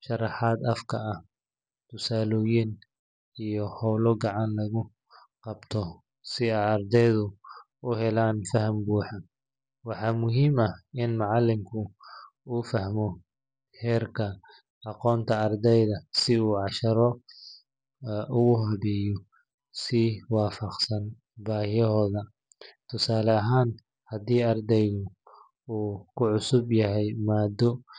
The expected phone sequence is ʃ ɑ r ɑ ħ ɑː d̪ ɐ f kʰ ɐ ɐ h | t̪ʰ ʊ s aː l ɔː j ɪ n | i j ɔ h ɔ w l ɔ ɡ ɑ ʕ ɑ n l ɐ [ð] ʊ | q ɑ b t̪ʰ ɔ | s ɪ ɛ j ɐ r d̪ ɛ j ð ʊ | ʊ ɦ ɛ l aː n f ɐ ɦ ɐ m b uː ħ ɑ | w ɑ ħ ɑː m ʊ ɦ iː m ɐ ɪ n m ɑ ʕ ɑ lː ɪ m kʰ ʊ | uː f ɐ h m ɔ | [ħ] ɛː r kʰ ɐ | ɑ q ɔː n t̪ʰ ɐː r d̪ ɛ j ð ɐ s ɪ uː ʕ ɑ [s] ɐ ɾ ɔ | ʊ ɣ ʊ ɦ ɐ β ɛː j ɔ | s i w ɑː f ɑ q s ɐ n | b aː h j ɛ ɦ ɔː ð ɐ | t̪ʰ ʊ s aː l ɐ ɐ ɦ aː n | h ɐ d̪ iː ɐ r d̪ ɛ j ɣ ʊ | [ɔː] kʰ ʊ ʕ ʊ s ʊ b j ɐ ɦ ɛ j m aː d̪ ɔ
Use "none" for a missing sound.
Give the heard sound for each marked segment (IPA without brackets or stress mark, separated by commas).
ɣ, h, ʃ, uː